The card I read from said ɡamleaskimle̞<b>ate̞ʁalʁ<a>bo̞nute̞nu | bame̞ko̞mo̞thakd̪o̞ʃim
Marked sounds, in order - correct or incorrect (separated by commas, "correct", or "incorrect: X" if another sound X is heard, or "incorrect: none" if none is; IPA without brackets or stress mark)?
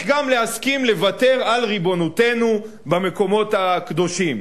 incorrect: v, incorrect: i